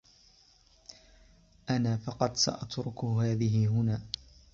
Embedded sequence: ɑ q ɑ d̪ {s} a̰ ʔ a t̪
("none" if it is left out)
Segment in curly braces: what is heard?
s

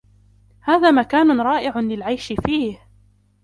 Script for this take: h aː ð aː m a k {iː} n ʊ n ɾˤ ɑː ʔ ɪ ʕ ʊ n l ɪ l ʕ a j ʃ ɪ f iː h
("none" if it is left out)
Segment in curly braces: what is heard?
aː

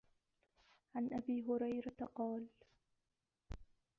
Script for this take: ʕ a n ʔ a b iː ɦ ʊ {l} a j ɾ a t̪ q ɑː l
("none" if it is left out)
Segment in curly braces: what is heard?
ɾ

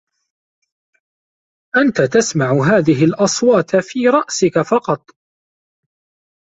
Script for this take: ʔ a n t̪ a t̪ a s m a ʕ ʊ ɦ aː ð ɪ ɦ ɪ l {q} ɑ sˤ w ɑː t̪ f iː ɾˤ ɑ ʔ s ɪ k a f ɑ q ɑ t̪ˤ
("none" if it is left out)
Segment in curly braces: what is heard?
ʔ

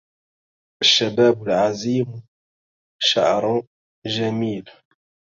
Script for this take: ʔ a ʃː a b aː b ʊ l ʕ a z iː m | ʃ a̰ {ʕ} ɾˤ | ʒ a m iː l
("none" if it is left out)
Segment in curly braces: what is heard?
ʕ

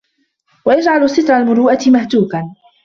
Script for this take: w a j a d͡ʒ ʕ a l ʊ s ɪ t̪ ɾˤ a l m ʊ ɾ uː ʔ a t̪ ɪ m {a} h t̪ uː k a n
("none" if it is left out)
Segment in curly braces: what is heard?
a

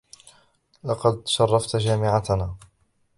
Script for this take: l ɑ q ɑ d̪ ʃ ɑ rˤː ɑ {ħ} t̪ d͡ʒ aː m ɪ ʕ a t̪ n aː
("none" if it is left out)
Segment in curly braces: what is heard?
f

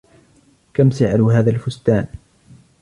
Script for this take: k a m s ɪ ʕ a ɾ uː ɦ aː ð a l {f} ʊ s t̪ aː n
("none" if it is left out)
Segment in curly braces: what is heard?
f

